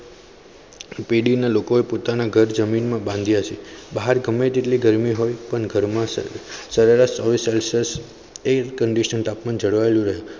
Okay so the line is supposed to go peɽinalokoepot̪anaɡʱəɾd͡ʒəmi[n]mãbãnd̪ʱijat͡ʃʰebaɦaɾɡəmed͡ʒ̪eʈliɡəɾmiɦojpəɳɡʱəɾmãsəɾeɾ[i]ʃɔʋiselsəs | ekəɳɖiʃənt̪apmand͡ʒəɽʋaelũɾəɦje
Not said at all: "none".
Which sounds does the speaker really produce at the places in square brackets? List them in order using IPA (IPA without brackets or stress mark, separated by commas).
n, a